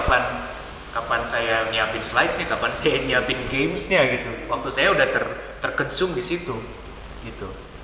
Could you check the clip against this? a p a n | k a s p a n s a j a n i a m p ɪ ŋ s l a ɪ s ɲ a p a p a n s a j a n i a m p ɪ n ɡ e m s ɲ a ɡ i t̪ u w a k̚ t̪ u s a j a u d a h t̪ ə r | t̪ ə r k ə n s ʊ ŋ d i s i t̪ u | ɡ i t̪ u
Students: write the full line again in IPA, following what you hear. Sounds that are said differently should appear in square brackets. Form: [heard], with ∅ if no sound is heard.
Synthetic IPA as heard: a p a n | k a [∅] p a n s a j a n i a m p ɪ [n] s l a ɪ s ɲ a [k] a p a n s a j a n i a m p ɪ n ɡ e m s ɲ a ɡ i t̪ u w a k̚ t̪ u s a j a u d a h t̪ ə r | t̪ ə r k ə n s ʊ ŋ d i s i t̪ u | ɡ i t̪ u